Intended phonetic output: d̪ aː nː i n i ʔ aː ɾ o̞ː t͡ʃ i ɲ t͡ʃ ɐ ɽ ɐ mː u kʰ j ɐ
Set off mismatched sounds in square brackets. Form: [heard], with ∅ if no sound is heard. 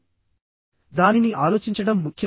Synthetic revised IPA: d̪ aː [n] i n i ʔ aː [l] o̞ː t͡ʃ i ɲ t͡ʃ ɐ ɽ ɐ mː u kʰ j ɐ